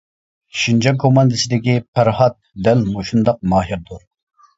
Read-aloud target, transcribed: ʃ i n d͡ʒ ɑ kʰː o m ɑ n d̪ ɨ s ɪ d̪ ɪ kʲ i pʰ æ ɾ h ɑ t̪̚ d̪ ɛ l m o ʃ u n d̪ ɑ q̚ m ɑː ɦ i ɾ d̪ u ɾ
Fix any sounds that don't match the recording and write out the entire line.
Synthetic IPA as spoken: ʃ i n d͡ʒ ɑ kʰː o m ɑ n d̪ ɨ s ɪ d̪ ɪ kʲ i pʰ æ ɾ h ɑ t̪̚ d̪ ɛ l m o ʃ u n d̪ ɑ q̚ m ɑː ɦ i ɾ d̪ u ɾ